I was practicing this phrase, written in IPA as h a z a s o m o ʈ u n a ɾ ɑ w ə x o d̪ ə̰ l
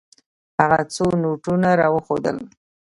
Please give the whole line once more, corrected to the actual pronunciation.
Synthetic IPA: h a ɣ a t͡s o n o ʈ u n a ɾ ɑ w ə x o d̪ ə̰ l